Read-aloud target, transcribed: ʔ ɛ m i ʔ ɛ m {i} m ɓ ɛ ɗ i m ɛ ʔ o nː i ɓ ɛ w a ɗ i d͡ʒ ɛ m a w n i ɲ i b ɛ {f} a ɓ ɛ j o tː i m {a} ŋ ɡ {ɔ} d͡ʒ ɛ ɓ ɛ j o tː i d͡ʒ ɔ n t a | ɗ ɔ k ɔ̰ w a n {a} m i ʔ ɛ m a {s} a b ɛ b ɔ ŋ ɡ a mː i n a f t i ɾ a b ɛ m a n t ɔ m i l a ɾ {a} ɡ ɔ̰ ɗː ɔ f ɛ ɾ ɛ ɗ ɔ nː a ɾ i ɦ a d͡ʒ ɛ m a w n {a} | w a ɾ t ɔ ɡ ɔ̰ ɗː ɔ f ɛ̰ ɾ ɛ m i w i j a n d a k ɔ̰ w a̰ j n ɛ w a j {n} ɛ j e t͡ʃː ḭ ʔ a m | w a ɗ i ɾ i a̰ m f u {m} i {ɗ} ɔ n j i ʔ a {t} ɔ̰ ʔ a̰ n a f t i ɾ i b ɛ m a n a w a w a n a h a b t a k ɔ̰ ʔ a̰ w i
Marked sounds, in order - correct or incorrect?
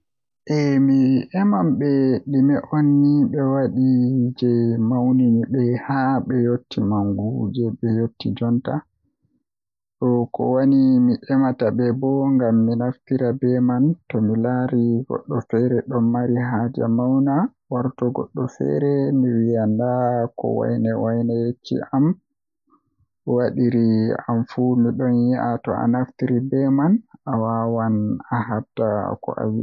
incorrect, incorrect, correct, incorrect, incorrect, incorrect, incorrect, correct, correct, correct, correct, correct

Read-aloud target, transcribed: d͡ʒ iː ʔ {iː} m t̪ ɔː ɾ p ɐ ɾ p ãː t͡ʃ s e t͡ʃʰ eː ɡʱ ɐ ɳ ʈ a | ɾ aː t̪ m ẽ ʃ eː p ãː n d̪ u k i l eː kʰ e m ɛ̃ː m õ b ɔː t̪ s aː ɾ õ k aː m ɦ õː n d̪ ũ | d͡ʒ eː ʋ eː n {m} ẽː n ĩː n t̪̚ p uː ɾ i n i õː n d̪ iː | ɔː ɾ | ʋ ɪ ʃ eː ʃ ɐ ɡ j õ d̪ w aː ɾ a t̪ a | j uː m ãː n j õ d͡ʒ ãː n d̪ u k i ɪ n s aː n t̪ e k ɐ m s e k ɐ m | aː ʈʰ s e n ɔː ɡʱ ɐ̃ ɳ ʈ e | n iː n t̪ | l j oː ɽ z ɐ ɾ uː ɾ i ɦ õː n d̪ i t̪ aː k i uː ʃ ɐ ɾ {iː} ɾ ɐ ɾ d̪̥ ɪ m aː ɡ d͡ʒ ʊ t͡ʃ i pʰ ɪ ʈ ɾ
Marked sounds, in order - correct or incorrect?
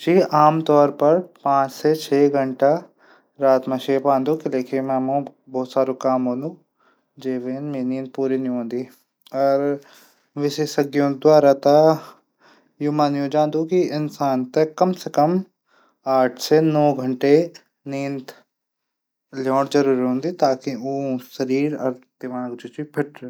incorrect, correct, correct

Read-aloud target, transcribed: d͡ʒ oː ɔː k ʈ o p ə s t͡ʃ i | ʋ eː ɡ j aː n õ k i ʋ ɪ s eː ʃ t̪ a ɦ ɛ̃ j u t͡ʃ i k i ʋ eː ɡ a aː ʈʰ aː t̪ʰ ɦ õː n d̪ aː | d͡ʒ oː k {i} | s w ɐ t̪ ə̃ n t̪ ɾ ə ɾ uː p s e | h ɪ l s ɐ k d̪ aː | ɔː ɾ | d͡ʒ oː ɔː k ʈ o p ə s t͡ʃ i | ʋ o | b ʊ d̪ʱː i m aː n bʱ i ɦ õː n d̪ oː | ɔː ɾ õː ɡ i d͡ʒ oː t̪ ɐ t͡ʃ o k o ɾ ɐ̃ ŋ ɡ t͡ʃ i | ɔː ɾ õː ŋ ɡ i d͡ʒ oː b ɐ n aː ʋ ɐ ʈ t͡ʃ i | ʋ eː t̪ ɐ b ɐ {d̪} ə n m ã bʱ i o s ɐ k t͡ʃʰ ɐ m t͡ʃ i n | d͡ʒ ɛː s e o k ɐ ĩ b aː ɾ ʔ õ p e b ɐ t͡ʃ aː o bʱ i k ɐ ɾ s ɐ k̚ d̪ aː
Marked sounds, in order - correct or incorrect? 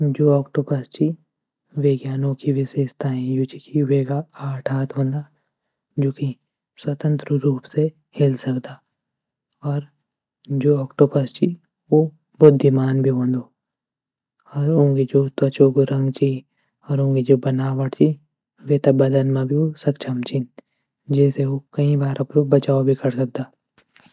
correct, correct

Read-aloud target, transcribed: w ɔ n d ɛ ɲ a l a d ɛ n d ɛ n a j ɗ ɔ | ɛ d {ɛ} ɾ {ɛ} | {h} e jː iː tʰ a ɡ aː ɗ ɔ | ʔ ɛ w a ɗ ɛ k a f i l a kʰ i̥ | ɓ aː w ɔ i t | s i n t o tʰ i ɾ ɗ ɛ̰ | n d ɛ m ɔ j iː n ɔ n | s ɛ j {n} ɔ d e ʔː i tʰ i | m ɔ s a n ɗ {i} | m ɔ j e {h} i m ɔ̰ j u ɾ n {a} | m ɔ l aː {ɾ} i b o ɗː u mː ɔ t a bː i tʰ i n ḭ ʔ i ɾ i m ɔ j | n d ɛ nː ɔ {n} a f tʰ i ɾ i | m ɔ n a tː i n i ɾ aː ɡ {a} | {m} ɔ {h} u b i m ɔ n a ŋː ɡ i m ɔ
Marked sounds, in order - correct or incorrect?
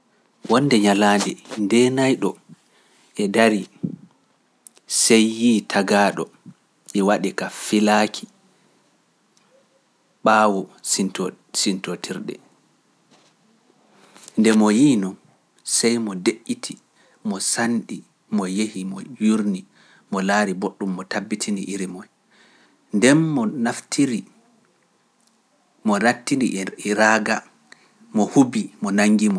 incorrect, incorrect, incorrect, incorrect, correct, correct, incorrect, correct, correct, correct, correct, correct

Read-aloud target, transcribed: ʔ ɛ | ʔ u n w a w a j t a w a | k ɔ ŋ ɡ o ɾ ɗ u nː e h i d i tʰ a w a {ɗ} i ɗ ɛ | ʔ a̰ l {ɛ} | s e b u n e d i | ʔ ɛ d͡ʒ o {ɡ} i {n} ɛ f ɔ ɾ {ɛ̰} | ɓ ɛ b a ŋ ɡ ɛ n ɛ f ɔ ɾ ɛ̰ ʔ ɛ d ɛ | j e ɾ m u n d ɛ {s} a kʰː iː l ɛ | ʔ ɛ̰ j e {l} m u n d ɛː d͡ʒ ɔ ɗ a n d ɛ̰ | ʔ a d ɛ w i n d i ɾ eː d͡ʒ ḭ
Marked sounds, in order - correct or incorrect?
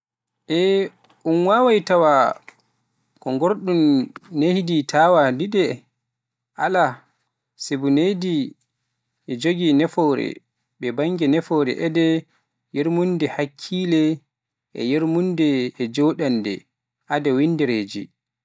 incorrect, incorrect, correct, correct, correct, incorrect, incorrect

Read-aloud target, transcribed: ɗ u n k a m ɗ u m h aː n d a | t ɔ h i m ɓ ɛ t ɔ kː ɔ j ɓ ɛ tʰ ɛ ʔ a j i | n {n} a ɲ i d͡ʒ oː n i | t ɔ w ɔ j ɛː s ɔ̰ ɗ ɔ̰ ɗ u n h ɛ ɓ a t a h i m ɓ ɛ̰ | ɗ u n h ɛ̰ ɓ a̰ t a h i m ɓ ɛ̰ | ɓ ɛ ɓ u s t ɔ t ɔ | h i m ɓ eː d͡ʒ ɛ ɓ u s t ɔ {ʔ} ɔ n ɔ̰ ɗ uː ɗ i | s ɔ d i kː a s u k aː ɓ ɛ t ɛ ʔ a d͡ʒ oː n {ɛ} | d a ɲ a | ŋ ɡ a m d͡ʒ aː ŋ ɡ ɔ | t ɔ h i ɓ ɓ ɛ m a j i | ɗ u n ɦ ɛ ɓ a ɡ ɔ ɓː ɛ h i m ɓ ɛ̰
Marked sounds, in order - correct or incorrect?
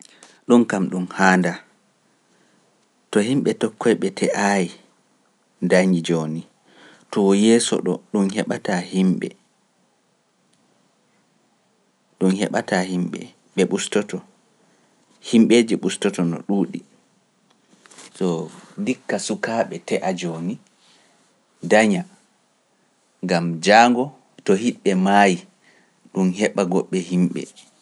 incorrect, incorrect, incorrect

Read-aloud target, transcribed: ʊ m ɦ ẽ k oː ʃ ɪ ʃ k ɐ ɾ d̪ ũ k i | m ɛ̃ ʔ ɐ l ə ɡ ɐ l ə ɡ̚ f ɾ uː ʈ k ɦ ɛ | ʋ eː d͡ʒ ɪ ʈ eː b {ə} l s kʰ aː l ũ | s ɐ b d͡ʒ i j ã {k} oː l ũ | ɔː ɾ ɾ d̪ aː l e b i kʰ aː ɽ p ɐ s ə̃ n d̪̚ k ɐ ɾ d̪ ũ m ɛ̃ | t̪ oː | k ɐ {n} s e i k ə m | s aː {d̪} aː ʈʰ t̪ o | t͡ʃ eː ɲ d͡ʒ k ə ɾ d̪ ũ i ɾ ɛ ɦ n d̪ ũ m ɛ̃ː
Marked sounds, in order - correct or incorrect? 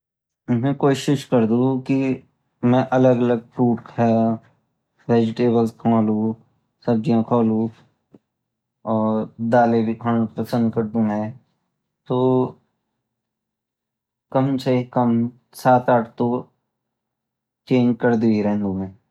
correct, incorrect, incorrect, incorrect

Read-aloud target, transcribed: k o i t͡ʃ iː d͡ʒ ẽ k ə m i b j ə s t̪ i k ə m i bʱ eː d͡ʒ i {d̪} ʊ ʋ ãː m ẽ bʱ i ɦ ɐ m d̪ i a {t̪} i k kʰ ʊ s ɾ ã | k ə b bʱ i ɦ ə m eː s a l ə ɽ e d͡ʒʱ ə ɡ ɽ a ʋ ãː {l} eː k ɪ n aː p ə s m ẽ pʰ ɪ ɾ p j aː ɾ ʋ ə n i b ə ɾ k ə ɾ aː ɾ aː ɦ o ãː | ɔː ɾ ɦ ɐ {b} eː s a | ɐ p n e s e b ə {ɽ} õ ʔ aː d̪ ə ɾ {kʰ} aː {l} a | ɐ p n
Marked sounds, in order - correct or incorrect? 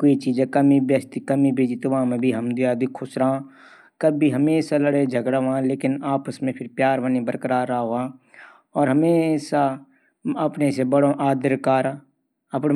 incorrect, incorrect, correct, incorrect, correct, incorrect, incorrect

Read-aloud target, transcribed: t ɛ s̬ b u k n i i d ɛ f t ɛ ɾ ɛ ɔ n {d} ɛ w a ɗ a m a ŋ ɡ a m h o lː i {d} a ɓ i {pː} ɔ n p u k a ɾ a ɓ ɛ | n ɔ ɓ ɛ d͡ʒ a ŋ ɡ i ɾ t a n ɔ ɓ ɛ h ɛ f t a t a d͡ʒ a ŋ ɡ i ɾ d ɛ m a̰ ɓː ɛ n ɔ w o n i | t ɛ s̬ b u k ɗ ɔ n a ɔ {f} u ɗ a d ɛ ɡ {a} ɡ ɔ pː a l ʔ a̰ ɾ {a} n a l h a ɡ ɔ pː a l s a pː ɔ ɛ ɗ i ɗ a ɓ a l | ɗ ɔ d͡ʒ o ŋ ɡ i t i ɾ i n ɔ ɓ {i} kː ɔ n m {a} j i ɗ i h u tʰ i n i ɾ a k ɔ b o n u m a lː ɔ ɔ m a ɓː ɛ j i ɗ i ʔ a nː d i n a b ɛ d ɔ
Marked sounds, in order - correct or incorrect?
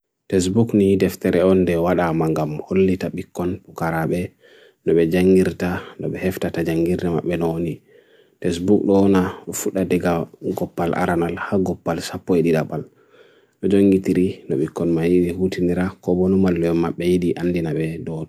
correct, incorrect, incorrect, correct, correct, correct, correct, correct

